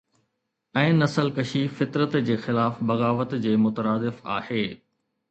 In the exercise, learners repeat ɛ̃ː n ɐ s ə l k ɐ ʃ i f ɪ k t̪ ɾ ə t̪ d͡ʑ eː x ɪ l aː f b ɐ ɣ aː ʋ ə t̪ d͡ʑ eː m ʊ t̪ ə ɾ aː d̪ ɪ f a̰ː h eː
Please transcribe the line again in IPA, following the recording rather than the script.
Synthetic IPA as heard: ɛ̃ː n ɐ s ə l k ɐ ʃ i f ɪ t̪ ɾ ə t̪ d͡ʑ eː x ɪ l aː f b ɐ ɣ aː ʋ ə t̪ d͡ʑ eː m ʊ t̪ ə ɾ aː d̪ ɪ f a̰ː h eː

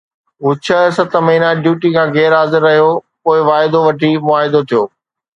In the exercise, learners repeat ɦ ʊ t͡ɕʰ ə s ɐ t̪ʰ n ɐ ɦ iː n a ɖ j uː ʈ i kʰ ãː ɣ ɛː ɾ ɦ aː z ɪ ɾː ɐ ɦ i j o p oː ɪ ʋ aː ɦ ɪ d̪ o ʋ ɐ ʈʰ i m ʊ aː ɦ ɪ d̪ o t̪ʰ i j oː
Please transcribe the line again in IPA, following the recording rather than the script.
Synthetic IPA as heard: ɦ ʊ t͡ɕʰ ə s ɐ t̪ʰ m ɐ ɦ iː n a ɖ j uː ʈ i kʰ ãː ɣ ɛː ɾ ɦ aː z ɪ ɾː ɐ ɦ i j o p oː ɪ ʋ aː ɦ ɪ d̪ o ʋ ɐ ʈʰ i m ʊ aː ɦ ɪ d̪ o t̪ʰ i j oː

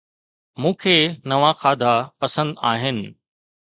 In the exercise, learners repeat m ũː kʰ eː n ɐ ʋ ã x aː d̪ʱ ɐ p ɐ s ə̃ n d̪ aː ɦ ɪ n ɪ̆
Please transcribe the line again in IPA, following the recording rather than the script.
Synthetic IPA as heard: m ũː kʰ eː n ɐ ʋ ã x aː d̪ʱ a p ɐ s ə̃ n d̪ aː ɦ ɪ n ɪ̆

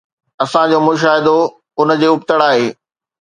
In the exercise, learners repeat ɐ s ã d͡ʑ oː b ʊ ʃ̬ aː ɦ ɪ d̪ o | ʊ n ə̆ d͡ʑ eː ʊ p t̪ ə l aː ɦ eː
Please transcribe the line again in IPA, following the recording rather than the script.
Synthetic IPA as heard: ɐ s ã d͡ʑ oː m ʊ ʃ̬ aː ɦ ɪ d̪ o | ʊ n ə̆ d͡ʑ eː ʊ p t̪ ə ɽ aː ɦ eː

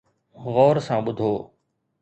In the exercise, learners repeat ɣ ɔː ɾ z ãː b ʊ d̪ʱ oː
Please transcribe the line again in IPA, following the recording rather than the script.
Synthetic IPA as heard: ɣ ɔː ɾ s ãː ɓ ʊ d̪ʱ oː

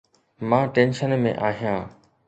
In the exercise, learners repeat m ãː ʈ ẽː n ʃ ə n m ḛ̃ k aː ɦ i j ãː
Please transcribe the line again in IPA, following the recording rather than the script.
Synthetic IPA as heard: m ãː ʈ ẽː n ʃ ə n m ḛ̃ ʔ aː ɦ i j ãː

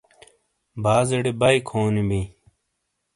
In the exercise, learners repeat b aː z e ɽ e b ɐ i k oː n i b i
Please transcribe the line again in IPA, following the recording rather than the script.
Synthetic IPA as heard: b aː z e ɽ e b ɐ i kʰ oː n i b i

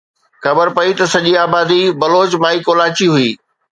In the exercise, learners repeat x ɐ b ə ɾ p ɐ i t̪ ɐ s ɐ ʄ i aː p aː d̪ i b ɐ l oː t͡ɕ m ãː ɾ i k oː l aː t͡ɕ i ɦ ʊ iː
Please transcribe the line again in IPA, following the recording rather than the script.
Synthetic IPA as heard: x ɐ b ə ɾ p ɐ i t̪ ɐ s ɐ ʄ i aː b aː d̪ i b ɐ l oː t͡ɕ m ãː i k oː l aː t͡ɕ i ɦ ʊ iː

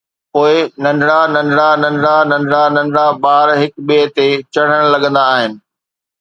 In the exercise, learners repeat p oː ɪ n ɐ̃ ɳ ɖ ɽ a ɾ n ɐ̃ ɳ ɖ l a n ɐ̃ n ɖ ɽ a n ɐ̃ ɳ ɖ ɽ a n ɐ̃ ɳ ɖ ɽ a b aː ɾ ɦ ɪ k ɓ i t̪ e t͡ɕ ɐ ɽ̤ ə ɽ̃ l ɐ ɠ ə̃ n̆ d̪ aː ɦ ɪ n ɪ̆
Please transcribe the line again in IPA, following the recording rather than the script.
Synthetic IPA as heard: p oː ɪ n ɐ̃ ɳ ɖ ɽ a n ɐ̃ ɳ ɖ ɽ a n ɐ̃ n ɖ ɽ a n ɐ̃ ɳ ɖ ɽ a n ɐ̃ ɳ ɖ ɽ a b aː ɾ ɦ ɪ k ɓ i t̪ e t͡ɕ ɐ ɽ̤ ə ɽ̃ l ɐ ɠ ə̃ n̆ d̪ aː ɦ ɪ n ɪ̆

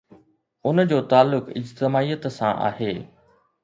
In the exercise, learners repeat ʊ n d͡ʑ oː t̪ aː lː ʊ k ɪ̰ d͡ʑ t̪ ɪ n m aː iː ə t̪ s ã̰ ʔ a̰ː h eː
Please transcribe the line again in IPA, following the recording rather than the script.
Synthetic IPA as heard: ʊ n d͡ʑ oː t̪ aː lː ʊ k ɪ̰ d͡ʑ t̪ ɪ m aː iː ə t̪ s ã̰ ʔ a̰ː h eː

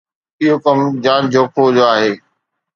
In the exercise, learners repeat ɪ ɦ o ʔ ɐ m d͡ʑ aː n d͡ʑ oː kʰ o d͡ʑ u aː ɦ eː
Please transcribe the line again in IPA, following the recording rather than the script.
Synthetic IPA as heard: ɪ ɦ o k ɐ m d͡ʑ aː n d͡ʑ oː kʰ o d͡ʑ o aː ɦ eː

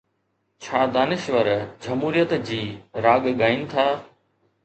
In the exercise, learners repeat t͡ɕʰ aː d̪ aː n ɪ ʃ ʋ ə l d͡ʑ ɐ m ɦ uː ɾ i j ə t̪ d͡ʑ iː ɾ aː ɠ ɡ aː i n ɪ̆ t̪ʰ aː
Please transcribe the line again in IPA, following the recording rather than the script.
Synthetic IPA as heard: t͡ɕʰ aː d̪ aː n ɪ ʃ ʋ ə ɾ d͡ʑ ɐ m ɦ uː ɾ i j ə t̪ d͡ʑ iː ɾ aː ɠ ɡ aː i n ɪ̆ t̪ʰ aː

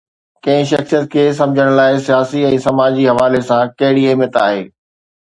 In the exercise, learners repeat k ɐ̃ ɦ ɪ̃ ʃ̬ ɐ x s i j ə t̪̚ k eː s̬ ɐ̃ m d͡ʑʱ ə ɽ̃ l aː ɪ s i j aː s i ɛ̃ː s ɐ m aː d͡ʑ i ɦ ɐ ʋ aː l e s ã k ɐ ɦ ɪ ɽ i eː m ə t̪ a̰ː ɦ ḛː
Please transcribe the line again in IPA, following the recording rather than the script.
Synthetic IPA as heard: k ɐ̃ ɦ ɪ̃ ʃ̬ ɐ x s i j ə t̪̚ kʰ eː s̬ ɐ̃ m d͡ʑʱ ə ɽ̃ l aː ɪ s i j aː s i ɛ̃ː s ɐ m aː d͡ʑ i ɦ ɐ ʋ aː l e s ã k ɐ ɦ ɪ ɽ i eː m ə t̪ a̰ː ɦ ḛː

